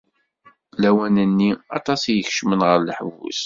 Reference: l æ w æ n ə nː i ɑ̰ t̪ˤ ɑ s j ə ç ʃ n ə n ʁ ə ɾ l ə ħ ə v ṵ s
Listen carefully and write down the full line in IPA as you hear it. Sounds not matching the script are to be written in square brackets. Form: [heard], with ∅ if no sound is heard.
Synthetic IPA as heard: l æ w æ n ə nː i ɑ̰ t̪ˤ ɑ s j ə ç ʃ [m] ə n ʁ ə ɾ l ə ħ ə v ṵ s